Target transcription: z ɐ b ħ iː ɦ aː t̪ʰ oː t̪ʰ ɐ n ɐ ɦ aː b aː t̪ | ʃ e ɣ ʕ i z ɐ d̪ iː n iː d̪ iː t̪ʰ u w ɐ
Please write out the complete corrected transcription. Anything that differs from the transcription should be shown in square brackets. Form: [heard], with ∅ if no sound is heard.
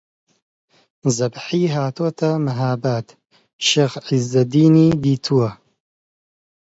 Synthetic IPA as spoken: z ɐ b ħ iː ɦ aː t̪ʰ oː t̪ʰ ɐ [m] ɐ ɦ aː b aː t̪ | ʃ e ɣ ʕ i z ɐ d̪ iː n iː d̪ iː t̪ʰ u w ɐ